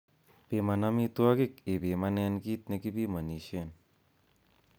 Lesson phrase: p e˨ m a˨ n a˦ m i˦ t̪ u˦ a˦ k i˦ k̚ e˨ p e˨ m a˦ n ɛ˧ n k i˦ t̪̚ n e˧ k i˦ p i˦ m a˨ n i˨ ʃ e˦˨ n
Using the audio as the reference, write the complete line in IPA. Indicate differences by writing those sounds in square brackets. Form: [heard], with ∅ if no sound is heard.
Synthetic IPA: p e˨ m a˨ n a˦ m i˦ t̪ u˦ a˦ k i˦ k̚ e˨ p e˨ m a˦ n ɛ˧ n k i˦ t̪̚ n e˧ k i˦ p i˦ m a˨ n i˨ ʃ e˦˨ n